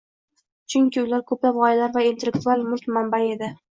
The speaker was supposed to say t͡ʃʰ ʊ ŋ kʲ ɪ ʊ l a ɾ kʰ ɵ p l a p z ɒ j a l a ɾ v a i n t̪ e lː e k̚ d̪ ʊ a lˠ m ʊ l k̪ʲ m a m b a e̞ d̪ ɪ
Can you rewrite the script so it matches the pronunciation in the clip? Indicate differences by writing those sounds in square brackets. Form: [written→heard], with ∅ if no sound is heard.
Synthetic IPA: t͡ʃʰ ʊ ŋ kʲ ɪ ʊ l a ɾ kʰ ɵ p l a p [z→ʁ] ɒ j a l a ɾ v a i n t̪ e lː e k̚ [d̪→t̪] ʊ a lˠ m ʊ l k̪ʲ m a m b a e̞ d̪ ɪ